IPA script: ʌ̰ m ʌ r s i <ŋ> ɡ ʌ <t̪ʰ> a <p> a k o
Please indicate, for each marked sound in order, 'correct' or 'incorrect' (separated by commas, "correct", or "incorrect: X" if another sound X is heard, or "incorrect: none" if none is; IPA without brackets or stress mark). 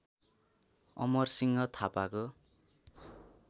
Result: correct, correct, correct